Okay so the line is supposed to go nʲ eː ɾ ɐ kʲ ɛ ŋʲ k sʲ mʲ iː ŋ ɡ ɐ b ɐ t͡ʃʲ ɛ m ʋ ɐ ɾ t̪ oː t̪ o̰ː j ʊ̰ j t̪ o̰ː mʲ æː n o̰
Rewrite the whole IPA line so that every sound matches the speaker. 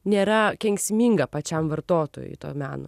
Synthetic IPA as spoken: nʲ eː ɾ ɐ kʲ ɛ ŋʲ k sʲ mʲ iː ŋ ɡ ɐ p ɐ t͡ʃʲ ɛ m ʋ ɐ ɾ t̪ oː t̪ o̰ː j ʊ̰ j t̪ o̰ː mʲ æː n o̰

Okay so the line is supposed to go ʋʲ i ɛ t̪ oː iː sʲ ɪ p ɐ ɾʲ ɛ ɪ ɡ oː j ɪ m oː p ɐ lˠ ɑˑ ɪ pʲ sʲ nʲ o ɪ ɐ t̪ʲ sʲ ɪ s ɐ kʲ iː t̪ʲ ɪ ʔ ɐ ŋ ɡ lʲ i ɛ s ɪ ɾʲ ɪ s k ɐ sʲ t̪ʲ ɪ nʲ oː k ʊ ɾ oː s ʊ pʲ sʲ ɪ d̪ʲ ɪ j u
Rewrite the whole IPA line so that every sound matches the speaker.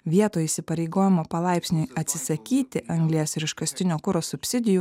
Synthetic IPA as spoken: ʋʲ i ɛ t̪ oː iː sʲ ɪ p ɐ ɾʲ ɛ ɪ ɡ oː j ɪ m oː p ɐ lˠ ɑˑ ɪ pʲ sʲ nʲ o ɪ ɐ t̪ʲ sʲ ɪ s ɐ kʲ iː t̪ʲ ɪ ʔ ɐ ŋ ɡ lʲ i ɛ s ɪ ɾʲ ɪ ʃ k ɐ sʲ t̪ʲ ɪ nʲ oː k ʊ ɾ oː s ʊ pʲ sʲ ɪ d̪ʲ ɪ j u

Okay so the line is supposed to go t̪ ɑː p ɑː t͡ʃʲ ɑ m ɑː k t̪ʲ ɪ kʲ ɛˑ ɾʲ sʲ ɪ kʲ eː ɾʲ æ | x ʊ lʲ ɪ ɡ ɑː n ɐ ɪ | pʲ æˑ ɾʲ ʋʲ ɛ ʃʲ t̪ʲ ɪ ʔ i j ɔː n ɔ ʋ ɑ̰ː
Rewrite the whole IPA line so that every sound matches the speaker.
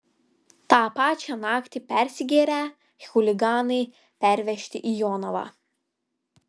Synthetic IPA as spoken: t̪ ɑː p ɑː t͡ʃʲ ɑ n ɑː k t̪ʲ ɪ pʲ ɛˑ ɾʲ sʲ ɪ ɡʲ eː ɾʲ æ | x ʊ lʲ ɪ ɡ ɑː n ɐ ɪ | pʲ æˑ ɾʲ ʋʲ ɛ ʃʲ t̪ʲ ɪ ʔ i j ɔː n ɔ ʋ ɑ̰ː

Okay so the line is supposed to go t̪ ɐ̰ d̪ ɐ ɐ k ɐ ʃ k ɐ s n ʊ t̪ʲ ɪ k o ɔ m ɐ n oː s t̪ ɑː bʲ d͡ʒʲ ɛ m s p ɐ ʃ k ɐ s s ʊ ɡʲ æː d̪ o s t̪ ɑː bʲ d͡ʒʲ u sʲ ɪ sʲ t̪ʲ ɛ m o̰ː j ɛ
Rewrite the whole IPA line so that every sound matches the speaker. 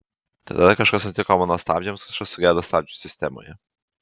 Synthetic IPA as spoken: t̪ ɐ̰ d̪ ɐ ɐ k ɐ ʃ k ɐ s n ʊ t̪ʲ ɪ k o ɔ m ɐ n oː s t̪ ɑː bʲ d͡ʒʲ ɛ m s k ɐ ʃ k ɐ s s ʊ ɡʲ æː d̪ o s t̪ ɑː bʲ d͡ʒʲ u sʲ ɪ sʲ t̪ʲ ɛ m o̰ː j ɛ

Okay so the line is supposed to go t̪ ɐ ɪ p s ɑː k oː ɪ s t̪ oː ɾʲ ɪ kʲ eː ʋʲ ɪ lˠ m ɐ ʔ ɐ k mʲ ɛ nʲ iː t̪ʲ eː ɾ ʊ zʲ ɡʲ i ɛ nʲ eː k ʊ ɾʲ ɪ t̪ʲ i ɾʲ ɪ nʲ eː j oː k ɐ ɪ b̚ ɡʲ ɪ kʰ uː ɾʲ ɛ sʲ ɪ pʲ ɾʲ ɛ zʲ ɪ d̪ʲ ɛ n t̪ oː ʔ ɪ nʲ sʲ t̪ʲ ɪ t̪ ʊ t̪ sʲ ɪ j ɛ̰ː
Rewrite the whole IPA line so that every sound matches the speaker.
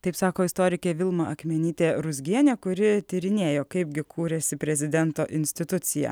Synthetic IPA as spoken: t̪ ɐ ɪ p s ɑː k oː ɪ s t̪ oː ɾʲ ɪ kʲ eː ʋʲ ɪ lˠ m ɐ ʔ ɐ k mʲ ɛ nʲ iː t̪ʲ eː ɾ ʊ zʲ ɡʲ i ɛ nʲ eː k ʊ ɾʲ ɪ t̪ʲ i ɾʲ ɪ nʲ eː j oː k ɐ ɪ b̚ ɡʲ ɪ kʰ uː ɾʲ ɛ sʲ ɪ pʲ ɾʲ ɛ zʲ ɪ d̪ʲ ɛ n t̪ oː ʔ ɪ nʲ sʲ t̪ʲ ɪ t̪ ʊ t̪ sʲ ɪ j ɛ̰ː

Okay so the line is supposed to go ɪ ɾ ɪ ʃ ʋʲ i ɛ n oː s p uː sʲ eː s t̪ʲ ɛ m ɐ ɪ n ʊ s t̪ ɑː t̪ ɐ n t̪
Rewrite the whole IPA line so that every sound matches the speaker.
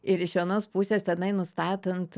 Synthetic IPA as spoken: ɪ ɾ ɪ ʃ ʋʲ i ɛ n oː s p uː sʲ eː s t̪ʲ ɛ n ɐ ɪ n ʊ s t̪ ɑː t̪ ɐ n t̪

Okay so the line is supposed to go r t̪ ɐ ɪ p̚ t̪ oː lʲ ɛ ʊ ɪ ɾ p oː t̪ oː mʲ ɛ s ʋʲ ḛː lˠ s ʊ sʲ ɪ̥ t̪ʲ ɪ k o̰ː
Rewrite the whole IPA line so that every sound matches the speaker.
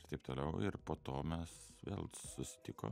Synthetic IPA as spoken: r t̪ ɐ ɪ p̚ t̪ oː lʲ ɛ ʊ ɪ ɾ p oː t̪ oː mʲ ɛ s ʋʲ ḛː lˠ s ʊ sʲ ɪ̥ t̪ʲ ɪ k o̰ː

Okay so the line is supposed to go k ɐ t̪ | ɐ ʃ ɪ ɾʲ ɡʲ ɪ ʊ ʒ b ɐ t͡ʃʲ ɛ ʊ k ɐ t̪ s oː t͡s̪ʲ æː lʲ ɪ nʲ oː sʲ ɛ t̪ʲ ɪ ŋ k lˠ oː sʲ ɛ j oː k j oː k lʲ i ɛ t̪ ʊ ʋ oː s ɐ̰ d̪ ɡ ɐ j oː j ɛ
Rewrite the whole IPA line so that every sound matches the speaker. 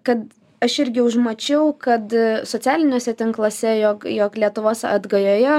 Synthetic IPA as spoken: k ɐ t̪ | ɐ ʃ ɪ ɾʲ ɡʲ ɪ ʊ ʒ m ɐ t͡ʃʲ ɛ ʊ k ɐ t̪ s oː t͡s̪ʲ æː lʲ ɪ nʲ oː sʲ ɛ t̪ʲ ɪ ŋ k lˠ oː sʲ ɛ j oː k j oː k lʲ i ɛ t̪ ʊ ʋ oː s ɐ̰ d̪ ɡ ɐ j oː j ɛ

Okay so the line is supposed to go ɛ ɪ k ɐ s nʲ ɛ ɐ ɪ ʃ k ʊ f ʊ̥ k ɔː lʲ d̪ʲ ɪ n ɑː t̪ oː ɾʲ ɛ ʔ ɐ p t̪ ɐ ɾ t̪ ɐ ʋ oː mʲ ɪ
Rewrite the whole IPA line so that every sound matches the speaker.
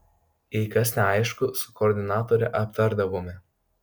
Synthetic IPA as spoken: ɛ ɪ k ɐ s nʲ ɛ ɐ ɪ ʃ k ʊ s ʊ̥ k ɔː ɾʲ d̪ʲ ɪ n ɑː t̪ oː ɾʲ ɛ ʔ ɐ p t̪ ɐ ɾ d̪ ɐ ʋ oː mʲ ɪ

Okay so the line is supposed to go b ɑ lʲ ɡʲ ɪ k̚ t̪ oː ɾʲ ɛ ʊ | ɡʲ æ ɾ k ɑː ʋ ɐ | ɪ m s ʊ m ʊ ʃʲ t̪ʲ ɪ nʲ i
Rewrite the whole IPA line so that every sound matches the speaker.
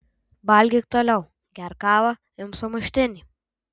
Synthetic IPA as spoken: b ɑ lʲ ɡʲ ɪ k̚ t̪ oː lʲ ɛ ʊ | ɡʲ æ ɾ k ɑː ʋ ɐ | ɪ m s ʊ m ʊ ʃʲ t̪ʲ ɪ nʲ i

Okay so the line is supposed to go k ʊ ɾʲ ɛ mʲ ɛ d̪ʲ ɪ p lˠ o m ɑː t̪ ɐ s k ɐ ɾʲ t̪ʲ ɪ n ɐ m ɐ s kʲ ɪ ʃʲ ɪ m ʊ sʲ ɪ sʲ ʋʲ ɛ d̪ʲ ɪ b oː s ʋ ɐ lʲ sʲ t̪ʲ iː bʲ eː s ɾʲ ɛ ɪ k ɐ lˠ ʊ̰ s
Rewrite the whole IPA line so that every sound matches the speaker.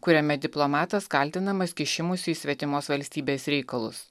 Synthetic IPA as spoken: k ʊ ɾʲ ɛ mʲ ɛ d̪ʲ ɪ p lˠ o m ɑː t̪ ɐ s k ɐ lʲ t̪ʲ ɪ n ɐ m ɐ s kʲ ɪ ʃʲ ɪ m ʊ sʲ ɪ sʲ ʋʲ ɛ t̪ʲ ɪ m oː s ʋ ɐ lʲ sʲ t̪ʲ iː bʲ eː s ɾʲ ɛ ɪ k ɐ lˠ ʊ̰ s

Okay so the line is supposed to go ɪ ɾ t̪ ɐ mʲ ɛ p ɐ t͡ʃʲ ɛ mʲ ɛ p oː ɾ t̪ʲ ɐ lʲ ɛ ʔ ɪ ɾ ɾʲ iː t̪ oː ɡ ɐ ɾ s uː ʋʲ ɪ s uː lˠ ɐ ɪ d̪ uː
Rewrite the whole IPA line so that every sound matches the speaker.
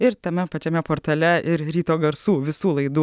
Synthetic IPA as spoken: ɪ ɾ t̪ ɐ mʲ ɛ p ɐ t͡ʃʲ ɛ mʲ ɛ p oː ɾ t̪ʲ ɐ lʲ ɛ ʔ ɪ ɾ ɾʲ iː t̪ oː ɡ ɐ ɾ s uː ʋʲ ɪ s uː lˠ ɐ ɪ d̪ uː

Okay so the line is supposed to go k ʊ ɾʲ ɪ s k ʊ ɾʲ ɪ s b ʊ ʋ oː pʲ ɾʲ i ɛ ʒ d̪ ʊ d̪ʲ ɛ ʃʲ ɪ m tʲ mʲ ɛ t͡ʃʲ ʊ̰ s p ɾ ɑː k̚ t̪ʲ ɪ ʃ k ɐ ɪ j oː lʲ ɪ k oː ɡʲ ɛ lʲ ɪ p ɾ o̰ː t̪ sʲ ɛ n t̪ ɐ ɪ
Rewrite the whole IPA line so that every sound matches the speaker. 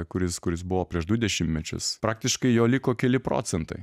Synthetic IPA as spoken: k ʊ ɾʲ ɪ s k ʊ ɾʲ ɪ s b ʊ ʋ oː pʲ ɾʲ i ɛ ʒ d̪ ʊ d̪ʲ ɛ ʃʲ ɪ m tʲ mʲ ɛ t͡ʃʲ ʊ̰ s p ɾ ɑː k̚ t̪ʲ ɪ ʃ k ɐ ɪ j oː lʲ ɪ k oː kʲ ɛ lʲ ɪ p ɾ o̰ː t̪ sʲ ɛ n t̪ ɐ ɪ

